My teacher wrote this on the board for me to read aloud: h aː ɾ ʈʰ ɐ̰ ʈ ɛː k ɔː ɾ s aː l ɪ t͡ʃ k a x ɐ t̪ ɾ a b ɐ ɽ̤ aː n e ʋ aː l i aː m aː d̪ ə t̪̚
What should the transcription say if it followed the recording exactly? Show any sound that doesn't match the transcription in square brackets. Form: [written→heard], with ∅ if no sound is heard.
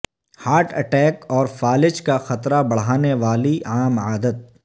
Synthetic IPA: h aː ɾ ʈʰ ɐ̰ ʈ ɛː k ɔː ɾ [s→f] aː l ɪ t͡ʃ k a x ɐ t̪ ɾ a b ɐ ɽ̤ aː n e ʋ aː l i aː m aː d̪ ə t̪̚